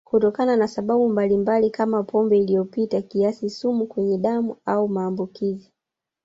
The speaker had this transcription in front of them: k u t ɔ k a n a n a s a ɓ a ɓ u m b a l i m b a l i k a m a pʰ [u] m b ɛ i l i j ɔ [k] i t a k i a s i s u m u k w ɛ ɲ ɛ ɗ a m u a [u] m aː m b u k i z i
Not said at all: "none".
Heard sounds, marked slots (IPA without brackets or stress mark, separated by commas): ɔ, p, u